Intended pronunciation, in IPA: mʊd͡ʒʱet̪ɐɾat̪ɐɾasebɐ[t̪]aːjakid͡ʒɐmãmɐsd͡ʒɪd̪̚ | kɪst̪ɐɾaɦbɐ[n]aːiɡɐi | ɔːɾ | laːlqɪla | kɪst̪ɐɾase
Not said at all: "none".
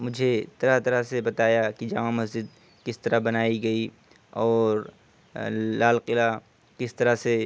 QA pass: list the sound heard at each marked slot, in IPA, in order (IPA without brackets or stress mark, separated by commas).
t̪, n